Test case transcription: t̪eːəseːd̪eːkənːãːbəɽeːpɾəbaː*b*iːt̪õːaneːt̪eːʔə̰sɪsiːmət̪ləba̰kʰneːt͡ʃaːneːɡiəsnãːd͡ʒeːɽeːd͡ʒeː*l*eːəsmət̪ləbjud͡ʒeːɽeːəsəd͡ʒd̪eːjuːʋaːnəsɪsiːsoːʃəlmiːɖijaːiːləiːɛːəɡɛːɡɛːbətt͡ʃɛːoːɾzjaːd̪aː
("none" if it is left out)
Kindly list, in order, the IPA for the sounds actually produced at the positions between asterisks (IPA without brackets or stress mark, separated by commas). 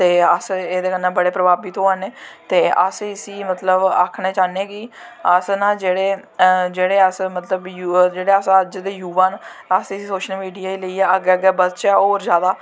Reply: b, ɽ